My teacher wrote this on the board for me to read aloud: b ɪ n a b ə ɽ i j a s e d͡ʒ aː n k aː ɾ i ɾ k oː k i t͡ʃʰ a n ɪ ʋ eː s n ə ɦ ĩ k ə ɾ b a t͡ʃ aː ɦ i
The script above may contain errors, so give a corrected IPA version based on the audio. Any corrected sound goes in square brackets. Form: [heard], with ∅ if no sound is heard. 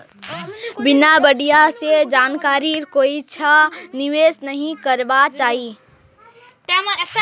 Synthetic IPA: b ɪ n a b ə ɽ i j a s e d͡ʒ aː n k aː ɾ i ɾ k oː [∅] i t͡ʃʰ a n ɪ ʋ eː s n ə ɦ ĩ k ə ɾ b a t͡ʃ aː ɦ i